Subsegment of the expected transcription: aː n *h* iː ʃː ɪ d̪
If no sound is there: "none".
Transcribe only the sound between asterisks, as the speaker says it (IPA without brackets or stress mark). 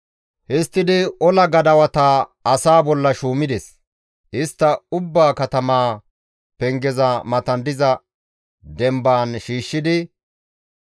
ʃ